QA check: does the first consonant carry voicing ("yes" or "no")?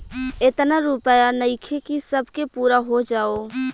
no